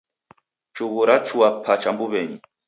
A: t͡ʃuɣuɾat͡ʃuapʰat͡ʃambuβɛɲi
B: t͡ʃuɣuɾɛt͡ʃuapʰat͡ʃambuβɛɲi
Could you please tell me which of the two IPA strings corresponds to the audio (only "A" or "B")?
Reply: A